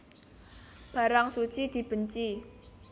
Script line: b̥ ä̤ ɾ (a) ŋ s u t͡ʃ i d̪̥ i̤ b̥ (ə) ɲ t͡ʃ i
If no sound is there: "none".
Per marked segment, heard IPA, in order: a, ə

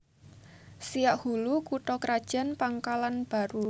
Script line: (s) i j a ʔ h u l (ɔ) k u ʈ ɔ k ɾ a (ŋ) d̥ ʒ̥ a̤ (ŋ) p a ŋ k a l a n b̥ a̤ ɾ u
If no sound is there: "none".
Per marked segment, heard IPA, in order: s, u, none, n

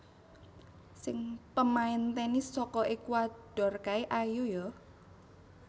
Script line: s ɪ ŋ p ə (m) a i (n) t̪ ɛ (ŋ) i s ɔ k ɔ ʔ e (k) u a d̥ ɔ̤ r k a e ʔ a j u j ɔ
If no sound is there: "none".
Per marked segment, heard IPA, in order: m, n, n, k

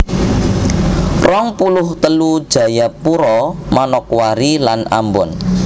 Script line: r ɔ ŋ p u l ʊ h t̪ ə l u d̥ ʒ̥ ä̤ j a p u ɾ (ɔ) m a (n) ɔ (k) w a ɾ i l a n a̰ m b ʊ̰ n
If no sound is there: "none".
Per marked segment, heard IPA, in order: ɔ, n, k

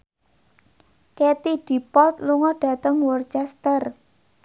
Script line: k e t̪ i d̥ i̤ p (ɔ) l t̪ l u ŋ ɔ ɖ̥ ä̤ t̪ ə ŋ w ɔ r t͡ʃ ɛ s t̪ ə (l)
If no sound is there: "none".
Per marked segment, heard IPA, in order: ɔ, r

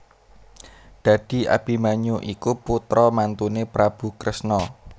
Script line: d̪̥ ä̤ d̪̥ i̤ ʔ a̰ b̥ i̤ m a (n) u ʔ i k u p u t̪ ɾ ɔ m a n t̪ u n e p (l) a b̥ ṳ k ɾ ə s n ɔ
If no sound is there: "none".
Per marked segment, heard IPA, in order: ɲ, ɾ

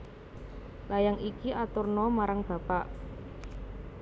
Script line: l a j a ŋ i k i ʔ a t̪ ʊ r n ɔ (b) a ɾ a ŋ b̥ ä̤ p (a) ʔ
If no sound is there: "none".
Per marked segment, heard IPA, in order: m, a

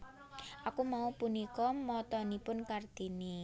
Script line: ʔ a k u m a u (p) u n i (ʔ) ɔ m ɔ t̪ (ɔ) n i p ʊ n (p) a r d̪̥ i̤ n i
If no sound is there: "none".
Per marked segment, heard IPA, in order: p, k, ɔ, k

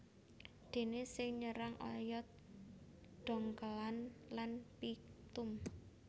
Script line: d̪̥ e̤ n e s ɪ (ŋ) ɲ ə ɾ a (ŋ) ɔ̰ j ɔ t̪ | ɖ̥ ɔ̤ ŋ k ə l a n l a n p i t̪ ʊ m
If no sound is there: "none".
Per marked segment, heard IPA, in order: ŋ, ŋ

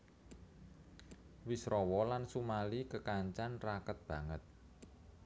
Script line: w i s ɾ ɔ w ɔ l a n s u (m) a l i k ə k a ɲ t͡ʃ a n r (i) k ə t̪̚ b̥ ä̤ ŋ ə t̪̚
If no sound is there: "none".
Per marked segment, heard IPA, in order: m, a

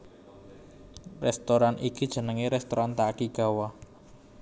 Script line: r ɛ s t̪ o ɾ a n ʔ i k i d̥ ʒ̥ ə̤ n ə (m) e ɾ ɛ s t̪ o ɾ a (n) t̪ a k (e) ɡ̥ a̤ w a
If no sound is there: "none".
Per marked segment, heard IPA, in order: ŋ, n, i

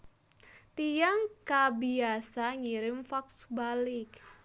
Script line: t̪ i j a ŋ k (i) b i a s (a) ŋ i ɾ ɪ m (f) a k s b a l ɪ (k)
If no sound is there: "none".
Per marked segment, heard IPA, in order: a, a, f, k

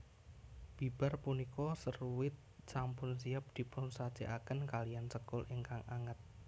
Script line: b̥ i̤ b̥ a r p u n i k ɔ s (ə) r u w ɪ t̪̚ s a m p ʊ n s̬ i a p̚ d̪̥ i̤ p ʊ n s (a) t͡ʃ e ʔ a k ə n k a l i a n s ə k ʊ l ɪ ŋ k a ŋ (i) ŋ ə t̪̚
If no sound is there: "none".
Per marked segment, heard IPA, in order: ə, a, a

